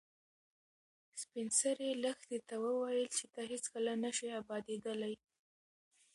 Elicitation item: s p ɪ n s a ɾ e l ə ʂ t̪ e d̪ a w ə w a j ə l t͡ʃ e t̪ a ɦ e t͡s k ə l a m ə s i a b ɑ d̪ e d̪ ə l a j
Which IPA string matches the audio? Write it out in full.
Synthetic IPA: s p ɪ n s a ɾ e l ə x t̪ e t̪ a w ə w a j ə l t͡ʃ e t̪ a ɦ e t͡s k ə l a n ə ʃ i a b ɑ d̪ e d̪ ə l a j